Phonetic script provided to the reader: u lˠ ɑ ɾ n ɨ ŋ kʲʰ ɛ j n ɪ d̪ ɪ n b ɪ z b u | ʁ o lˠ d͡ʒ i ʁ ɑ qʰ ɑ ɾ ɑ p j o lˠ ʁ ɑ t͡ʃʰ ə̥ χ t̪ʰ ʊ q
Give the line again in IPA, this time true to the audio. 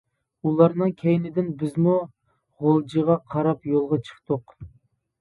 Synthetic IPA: u lˠ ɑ ɾ n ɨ ŋ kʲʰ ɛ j n ɪ d̪ ɪ n b ɪ z m u | ʁ o lˠ d͡ʒ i ʁ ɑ qʰ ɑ ɾ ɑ p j o lˠ ʁ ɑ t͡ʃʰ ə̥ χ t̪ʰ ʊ q